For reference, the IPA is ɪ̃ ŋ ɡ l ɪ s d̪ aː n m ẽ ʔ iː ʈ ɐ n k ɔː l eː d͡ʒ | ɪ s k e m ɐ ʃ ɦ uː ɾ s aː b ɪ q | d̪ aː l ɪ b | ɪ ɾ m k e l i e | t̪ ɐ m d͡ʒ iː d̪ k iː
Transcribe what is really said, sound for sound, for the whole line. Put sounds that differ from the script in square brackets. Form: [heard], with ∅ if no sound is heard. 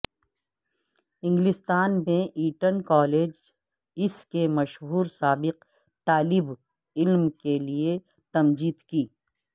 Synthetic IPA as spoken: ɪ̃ ŋ ɡ l ɪ s [t̪] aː n m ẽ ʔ iː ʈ [ə] n k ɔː l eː d͡ʒ | ɪ s k e m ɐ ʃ ɦ uː ɾ s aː b ɪ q | [t̪] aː l ɪ b | ɪ [l] m k e l i e | t̪ ɐ m d͡ʒ iː d̪ k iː